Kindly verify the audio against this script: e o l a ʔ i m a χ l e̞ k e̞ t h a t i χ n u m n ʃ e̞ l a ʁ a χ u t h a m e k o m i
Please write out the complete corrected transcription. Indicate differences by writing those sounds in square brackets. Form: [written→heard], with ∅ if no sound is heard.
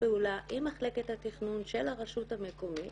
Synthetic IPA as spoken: e [o→u] l a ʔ i m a χ l e̞ k e̞ t h a t i χ n u [m→∅] n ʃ e̞ l a ʁ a [χ→ʃ] u t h a m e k o m i